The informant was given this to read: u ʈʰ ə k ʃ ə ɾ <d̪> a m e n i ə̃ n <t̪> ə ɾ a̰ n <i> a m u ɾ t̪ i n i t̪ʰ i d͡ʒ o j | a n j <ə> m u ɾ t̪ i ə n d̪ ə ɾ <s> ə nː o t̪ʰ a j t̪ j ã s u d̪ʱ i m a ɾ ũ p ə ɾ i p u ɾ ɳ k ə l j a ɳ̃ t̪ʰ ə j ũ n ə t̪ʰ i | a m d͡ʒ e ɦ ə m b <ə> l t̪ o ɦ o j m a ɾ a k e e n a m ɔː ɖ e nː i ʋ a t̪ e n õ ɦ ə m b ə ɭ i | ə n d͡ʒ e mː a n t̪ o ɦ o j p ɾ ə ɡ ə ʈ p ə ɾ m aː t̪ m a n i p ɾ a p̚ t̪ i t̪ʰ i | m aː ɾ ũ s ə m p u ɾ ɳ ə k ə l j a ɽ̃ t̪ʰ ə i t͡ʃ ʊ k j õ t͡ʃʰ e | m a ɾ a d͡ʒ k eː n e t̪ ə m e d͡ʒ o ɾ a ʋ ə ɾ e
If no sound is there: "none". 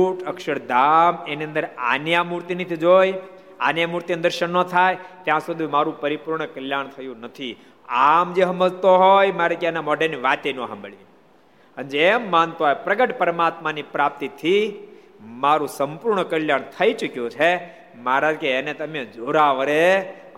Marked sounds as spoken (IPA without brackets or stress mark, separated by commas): d̪, d̪, j, a, ʃ, ə